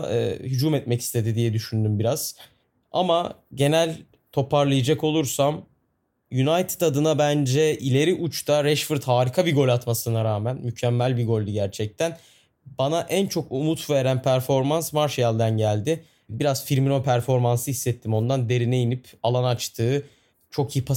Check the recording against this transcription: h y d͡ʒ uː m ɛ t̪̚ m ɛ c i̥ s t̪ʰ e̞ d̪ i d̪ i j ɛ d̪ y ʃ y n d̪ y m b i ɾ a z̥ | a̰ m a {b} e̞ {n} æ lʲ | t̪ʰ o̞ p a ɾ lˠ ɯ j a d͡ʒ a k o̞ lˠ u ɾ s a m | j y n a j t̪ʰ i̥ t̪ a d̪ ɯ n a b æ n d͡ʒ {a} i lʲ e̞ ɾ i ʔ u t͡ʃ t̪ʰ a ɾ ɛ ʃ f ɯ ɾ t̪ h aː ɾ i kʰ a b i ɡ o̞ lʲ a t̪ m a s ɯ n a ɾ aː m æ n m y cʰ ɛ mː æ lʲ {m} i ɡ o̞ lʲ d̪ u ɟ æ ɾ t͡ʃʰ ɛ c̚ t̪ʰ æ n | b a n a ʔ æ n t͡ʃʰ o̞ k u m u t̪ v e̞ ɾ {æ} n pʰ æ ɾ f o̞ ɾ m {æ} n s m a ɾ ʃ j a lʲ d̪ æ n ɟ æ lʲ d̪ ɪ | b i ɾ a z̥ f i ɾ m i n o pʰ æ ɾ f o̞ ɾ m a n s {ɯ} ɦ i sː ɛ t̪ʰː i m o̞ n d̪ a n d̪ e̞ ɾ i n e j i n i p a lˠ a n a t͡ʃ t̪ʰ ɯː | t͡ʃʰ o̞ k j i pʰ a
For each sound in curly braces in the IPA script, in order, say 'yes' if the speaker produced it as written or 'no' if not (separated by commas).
no, yes, no, no, yes, no, yes